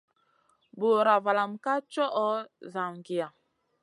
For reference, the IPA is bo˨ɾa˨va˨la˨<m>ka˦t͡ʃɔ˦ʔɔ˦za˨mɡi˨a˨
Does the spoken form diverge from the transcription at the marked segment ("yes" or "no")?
no